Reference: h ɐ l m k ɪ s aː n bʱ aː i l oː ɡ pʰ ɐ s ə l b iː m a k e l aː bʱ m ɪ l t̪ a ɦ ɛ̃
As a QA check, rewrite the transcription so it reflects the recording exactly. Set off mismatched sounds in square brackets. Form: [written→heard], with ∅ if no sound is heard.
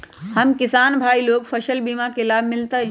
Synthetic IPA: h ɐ [l→∅] m k ɪ s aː n bʱ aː i l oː ɡ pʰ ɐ [s→ʃ] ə l b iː m a k e l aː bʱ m ɪ l t̪ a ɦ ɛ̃